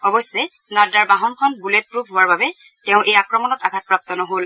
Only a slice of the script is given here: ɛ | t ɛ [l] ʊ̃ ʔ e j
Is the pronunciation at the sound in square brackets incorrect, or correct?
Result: incorrect